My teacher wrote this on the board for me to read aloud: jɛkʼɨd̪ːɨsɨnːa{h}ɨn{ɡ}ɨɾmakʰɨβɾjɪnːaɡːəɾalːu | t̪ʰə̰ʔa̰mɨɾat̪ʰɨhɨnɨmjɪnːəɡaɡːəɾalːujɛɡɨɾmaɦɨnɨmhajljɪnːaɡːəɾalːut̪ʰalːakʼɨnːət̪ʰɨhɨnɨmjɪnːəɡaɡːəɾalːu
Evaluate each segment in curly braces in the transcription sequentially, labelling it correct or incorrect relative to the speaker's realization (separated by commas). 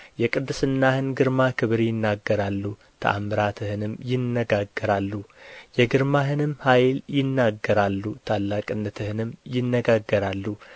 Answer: correct, correct